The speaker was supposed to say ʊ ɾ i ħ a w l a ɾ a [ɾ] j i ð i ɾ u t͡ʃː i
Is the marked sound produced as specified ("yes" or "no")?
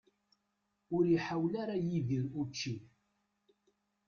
no